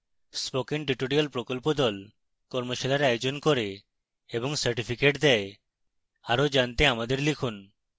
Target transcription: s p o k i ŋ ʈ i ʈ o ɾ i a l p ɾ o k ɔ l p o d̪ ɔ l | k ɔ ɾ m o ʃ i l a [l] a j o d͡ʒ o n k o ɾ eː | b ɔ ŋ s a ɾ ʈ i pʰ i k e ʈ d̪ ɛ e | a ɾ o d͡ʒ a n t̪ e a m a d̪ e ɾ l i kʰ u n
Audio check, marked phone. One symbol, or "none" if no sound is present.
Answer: ɾ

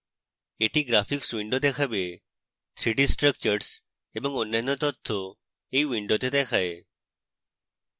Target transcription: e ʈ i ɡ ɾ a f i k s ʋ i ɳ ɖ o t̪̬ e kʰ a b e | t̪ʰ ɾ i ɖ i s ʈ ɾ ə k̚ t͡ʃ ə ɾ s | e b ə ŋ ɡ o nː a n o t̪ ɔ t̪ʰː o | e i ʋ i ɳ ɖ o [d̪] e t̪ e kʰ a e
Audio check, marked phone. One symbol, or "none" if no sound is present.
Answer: t̪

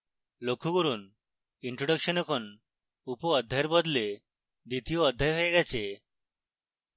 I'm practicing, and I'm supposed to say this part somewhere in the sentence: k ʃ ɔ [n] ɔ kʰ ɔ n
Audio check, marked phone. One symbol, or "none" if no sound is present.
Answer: n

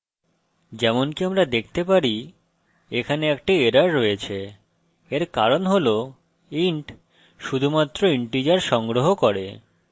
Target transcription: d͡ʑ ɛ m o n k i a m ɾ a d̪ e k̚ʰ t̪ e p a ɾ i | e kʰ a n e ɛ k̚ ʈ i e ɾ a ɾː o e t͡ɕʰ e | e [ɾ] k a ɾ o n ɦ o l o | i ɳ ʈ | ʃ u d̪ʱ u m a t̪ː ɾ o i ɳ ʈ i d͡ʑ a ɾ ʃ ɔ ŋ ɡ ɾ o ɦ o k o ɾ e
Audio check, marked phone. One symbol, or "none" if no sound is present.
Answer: ɾ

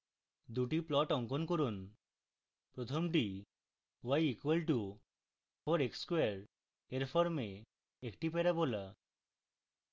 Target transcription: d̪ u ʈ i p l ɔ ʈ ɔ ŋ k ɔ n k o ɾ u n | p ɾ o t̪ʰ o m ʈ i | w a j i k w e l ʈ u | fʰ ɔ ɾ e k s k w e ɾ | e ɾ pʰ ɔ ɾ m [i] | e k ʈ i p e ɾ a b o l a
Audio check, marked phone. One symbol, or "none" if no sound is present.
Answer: e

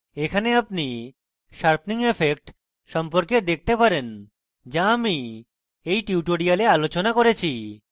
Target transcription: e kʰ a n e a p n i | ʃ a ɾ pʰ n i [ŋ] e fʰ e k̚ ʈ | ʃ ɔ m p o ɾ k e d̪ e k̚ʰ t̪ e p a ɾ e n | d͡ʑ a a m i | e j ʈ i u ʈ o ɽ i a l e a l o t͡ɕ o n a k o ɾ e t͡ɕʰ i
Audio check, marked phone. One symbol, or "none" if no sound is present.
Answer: ŋ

